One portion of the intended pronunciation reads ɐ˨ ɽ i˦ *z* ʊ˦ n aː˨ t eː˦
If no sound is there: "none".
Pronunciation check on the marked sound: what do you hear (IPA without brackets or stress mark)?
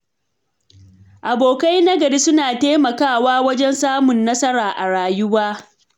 s